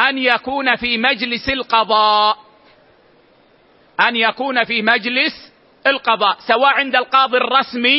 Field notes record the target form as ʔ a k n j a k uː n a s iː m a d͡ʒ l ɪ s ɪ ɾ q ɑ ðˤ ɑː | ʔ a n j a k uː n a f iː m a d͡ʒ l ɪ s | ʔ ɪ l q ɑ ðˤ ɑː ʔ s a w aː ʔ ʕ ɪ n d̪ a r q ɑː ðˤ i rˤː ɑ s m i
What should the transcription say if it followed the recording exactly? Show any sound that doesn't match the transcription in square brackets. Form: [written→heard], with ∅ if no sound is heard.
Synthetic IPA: ʔ a [k→∅] n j a k uː n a [s→f] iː m a d͡ʒ l ɪ s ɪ [ɾ→l] q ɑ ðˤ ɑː | ʔ a n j a k uː n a f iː m a d͡ʒ l ɪ s | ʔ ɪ l q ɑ ðˤ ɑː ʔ s a w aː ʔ ʕ ɪ n d̪ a [r→l] q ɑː ðˤ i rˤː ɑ s m i